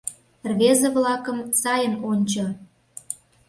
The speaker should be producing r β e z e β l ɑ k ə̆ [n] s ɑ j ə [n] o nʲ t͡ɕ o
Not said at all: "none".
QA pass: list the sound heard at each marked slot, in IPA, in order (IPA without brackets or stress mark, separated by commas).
m, m